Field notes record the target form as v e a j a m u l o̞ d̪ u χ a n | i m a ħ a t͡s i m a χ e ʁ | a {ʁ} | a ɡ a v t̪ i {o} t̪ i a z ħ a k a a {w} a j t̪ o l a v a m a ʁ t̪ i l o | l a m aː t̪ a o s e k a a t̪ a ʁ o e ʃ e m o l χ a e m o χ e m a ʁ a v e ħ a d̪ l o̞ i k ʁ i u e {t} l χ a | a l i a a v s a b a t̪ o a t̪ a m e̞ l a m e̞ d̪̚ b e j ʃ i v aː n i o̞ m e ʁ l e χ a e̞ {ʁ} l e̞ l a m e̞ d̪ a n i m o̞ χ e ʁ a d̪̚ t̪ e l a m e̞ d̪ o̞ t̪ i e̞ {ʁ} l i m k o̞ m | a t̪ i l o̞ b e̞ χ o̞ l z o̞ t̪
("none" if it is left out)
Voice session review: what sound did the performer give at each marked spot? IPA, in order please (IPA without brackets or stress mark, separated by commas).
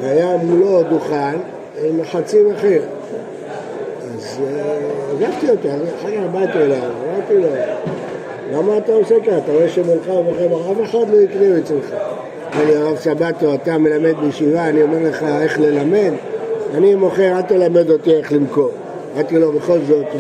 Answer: z, o, b, t͡s, χ, χ